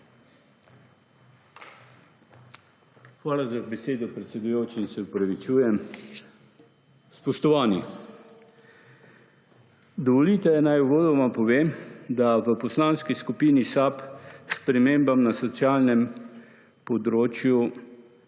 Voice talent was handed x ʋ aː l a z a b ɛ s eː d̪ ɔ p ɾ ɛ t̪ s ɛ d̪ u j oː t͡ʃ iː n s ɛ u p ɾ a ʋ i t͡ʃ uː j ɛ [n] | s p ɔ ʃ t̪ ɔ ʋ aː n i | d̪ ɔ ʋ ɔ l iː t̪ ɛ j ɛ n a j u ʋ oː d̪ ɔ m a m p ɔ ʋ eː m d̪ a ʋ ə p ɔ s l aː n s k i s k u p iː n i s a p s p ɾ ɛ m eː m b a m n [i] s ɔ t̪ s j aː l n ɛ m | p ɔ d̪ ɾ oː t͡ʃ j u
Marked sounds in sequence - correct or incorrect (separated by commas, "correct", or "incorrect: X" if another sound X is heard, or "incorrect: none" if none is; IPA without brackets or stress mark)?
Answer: incorrect: m, incorrect: a